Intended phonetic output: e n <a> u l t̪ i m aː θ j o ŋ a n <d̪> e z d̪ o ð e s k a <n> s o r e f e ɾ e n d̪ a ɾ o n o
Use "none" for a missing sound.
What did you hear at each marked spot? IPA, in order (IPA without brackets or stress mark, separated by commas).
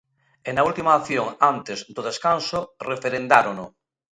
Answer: a, t̪, n